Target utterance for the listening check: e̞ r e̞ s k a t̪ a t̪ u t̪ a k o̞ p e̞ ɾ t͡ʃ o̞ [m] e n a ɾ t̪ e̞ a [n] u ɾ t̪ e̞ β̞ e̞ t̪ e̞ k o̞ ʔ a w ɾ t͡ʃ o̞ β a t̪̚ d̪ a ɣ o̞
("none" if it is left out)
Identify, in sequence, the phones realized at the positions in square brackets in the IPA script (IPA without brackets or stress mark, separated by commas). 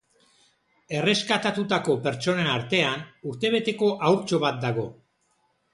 n, n